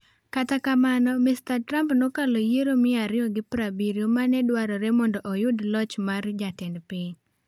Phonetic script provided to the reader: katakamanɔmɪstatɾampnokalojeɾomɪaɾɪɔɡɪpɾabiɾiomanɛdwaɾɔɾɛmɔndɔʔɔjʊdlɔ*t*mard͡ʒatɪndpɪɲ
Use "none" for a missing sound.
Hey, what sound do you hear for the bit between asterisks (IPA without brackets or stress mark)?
t͡ʃ